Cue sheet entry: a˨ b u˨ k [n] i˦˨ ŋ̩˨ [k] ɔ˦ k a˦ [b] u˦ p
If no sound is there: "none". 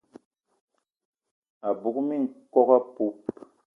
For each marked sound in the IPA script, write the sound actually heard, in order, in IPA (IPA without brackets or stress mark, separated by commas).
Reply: m, k, p